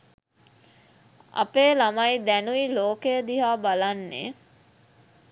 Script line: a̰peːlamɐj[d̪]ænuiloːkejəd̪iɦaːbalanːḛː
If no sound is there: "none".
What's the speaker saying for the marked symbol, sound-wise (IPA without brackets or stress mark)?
d̪